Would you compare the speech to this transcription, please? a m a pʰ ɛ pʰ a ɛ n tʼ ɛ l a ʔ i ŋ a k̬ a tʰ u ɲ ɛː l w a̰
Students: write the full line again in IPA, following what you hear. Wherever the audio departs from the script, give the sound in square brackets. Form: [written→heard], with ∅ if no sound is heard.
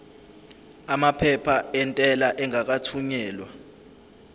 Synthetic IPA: a m a pʰ ɛ pʰ a ɛ n tʼ ɛ l a ʔ [i→ɛ] ŋ a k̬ a tʰ u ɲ ɛː l w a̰